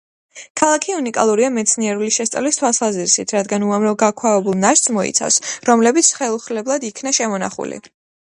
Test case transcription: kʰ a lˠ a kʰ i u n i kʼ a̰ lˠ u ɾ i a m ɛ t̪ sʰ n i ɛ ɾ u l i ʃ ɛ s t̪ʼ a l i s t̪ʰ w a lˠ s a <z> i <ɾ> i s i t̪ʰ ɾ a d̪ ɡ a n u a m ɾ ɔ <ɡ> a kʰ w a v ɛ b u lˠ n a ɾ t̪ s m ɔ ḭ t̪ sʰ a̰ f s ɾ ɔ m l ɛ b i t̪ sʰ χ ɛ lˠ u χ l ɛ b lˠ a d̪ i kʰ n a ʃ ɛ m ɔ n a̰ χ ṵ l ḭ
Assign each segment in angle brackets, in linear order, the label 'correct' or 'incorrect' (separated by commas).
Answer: correct, correct, correct